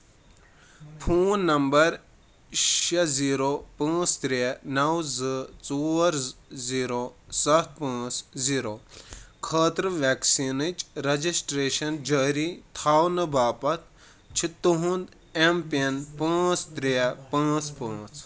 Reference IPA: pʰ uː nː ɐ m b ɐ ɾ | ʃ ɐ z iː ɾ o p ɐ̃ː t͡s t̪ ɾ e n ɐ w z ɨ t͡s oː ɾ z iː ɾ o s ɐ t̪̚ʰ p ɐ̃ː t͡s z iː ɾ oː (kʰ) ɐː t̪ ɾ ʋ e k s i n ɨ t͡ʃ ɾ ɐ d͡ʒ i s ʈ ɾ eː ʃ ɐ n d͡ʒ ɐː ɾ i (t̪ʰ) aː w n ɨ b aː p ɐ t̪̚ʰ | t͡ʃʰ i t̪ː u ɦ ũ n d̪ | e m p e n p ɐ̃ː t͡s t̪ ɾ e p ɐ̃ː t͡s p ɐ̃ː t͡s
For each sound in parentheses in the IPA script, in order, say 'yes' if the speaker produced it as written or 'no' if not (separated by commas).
yes, yes